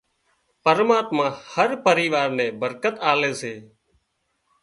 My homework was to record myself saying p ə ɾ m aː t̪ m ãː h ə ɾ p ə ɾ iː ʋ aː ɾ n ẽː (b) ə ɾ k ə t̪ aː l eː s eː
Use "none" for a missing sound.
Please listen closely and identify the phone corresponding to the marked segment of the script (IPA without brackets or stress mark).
b